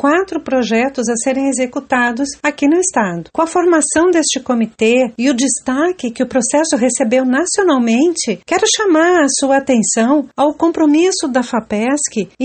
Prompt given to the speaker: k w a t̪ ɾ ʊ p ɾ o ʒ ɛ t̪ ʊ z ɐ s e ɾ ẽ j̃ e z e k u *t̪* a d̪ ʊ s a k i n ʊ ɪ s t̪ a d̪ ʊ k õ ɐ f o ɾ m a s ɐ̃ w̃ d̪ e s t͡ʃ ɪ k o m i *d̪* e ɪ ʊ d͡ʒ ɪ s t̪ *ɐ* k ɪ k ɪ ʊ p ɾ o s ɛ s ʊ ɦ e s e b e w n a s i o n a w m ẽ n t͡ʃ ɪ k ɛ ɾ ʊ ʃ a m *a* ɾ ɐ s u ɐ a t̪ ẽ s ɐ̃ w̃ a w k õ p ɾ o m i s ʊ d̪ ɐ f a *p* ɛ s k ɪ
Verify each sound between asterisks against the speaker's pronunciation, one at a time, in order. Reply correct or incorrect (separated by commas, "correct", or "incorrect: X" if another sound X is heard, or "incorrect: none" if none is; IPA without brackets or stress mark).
correct, incorrect: t̪, incorrect: a, correct, correct